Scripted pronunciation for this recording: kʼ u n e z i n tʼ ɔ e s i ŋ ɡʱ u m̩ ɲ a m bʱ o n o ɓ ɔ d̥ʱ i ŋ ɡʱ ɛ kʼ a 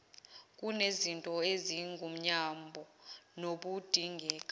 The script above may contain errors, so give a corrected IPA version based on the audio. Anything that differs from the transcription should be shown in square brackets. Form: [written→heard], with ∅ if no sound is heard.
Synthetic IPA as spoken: kʼ u n e z i n tʼ ɔ e [s→z] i ŋ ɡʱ u m̩ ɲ a m bʱ [o→ɔ] n o ɓ [ɔ→u] d̥ʱ i ŋ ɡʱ [ɛ→ɛː] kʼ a